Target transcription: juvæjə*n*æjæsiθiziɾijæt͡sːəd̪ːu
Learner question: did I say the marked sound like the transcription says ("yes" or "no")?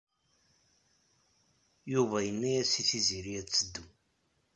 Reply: no